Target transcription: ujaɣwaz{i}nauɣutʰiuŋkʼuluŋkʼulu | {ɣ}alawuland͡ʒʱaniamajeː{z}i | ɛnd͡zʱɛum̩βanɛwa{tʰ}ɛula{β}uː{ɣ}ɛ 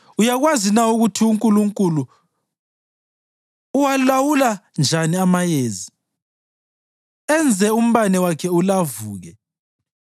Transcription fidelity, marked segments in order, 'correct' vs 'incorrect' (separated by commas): correct, incorrect, correct, incorrect, incorrect, correct